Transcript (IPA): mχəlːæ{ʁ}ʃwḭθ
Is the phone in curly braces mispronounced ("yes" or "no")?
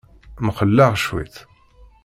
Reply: no